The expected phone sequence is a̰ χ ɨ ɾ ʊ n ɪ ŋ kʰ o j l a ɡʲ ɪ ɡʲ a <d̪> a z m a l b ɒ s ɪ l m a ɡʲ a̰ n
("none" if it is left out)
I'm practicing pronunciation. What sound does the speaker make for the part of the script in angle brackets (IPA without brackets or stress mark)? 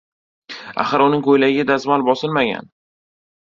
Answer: d̪